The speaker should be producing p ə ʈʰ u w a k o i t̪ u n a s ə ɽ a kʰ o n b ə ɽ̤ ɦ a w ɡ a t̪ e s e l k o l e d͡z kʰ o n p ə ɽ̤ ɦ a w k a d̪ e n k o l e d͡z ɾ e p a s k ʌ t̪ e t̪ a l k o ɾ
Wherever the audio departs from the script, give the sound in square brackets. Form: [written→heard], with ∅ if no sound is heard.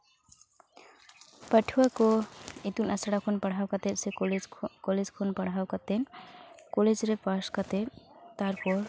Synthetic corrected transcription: p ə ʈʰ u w a k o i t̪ u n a s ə ɽ a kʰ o n [b→p] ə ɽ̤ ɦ a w [ɡ→k] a t̪ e s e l k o l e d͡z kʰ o n p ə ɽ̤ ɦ a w k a [d̪→t̪] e n k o l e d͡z ɾ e p a s k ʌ t̪ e t̪ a [l→ɾ] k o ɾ